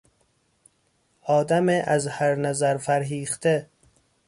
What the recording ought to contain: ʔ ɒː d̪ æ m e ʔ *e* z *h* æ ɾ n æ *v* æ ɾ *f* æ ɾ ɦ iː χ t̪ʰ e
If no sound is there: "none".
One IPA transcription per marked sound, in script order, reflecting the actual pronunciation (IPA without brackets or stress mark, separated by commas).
æ, h, z, f